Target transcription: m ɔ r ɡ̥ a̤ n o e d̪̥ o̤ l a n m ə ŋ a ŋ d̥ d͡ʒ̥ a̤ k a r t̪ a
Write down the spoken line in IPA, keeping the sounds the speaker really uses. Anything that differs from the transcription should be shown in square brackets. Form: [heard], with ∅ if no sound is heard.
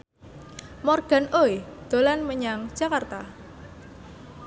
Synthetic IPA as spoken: m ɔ r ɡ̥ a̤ n o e d̪̥ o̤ l a n m ə [ɲ] a ŋ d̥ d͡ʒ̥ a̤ k a r t̪ a